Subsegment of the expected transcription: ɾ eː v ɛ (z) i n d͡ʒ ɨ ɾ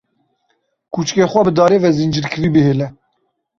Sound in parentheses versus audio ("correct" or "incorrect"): correct